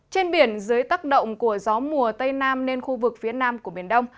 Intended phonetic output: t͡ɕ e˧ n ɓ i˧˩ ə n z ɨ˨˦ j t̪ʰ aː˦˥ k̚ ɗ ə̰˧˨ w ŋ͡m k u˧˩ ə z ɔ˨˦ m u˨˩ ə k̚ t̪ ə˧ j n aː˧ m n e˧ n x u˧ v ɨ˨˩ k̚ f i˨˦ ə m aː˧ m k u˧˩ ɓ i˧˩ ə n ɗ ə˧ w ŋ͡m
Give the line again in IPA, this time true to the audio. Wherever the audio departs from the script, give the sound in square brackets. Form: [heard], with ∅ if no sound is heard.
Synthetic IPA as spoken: t͡ɕ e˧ n ɓ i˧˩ ə n z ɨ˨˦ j [t̪] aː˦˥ k̚ ɗ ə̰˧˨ w ŋ͡m k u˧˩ ə z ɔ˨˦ m u˨˩ ə [∅] t̪ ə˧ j n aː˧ m n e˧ n x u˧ v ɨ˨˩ k̚ f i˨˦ ə [n] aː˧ m k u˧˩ ɓ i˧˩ ə n ɗ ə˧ w ŋ͡m